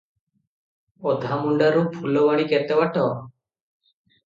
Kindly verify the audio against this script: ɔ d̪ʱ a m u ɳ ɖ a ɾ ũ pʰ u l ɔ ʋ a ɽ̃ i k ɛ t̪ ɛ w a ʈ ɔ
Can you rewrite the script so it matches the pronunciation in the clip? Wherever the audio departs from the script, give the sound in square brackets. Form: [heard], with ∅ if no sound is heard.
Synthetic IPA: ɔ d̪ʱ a m u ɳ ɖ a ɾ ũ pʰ u l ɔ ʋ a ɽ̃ i k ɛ t̪ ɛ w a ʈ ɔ

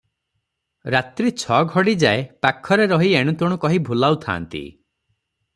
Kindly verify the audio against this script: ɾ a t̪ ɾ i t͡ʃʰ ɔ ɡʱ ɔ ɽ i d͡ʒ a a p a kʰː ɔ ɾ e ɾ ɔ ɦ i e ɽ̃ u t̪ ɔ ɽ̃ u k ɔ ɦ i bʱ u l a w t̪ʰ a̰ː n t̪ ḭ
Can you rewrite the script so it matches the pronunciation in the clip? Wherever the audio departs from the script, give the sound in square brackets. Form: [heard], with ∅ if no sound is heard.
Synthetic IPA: ɾ a t̪ ɾ i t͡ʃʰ ɔ ɡʱ ɔ ɽ i d͡ʒ a [e] p a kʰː ɔ ɾ e ɾ ɔ ɦ i e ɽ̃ u t̪ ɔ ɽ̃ u k ɔ ɦ i bʱ u l a w t̪ʰ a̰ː n t̪ ḭ

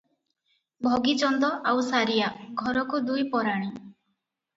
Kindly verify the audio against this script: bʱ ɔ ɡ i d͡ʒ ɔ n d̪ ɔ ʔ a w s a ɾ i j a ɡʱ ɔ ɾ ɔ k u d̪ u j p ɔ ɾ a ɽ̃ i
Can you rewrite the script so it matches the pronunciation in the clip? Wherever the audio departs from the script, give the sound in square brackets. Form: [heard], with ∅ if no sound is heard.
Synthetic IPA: bʱ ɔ ɡ i d͡ʒ ɔ n d̪ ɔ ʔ a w s a ɾ i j a ɡʱ ɔ ɾ ɔ k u d̪ u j p ɔ ɾ a ɽ̃ i

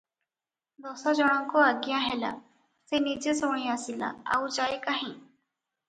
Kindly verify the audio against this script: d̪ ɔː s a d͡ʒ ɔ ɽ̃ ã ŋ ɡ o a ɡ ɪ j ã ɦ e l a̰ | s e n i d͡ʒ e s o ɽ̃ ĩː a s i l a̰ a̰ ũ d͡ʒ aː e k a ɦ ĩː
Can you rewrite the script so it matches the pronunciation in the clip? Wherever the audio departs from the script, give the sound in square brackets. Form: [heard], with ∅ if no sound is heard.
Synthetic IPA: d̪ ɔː s a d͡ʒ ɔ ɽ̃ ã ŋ [k] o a ɡ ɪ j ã ɦ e l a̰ | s e n i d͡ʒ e s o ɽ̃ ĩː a s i l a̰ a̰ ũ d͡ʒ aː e k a ɦ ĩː

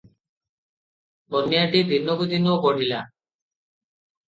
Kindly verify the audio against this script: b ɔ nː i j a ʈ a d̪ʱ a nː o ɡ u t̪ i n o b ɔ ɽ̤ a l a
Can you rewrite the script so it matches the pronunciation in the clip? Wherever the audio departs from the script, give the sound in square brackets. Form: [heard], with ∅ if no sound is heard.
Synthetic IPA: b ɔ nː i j a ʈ [i] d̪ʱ [i] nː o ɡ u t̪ i n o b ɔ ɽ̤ [i] l a

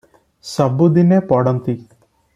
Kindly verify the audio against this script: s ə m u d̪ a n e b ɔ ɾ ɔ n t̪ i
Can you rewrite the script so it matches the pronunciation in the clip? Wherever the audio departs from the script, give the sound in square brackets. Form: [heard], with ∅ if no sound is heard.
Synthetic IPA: s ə [b] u d̪ [i] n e [p] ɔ [ɽ] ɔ n t̪ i

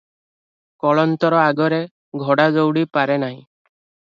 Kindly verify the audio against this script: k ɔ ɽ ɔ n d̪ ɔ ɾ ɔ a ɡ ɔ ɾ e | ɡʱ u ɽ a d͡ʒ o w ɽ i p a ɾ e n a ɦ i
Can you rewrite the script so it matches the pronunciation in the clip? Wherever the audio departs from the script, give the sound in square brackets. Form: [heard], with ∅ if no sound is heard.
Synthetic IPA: k ɔ [ɭ] ɔ n [t̪] ɔ ɾ ɔ a ɡ ɔ ɾ e | ɡʱ [ɔ] ɽ a d͡ʒ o w ɽ i p a ɾ e n a ɦ [ĩ]

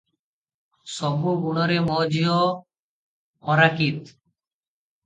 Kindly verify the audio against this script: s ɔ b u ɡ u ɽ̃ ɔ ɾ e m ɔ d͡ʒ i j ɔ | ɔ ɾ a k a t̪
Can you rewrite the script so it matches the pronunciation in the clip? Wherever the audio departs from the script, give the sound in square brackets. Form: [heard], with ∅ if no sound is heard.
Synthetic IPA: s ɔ b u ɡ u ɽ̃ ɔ ɾ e m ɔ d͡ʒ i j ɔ | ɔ ɾ a k [i] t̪

